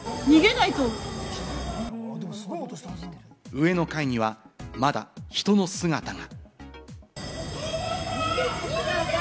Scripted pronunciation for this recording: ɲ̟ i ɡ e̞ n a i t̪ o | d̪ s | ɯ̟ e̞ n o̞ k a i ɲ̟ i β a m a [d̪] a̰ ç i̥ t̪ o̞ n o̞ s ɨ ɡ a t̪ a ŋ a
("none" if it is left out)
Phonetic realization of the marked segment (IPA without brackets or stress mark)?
d̪